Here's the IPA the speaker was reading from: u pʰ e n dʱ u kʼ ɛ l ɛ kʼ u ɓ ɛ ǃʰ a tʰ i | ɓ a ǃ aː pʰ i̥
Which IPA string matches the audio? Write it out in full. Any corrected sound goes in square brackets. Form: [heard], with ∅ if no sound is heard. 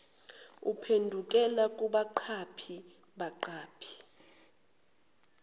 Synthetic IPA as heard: u pʰ e n dʱ u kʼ ɛ l [a] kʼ u ɓ [a] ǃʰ a [pʰ] i | ɓ a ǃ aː pʰ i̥